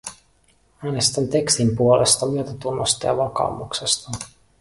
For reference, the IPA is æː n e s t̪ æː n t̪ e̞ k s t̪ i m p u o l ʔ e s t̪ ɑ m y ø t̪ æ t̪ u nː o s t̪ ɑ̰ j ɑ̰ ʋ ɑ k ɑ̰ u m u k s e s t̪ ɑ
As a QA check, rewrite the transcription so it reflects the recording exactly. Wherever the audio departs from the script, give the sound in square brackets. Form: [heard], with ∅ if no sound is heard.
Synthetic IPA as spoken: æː n e s t̪ [æ] n t̪ e̞ k s t̪ i m p u o l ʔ e s t̪ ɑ m y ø t̪ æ t̪ u nː o s t̪ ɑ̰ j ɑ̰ ʋ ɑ k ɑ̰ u m u k s e s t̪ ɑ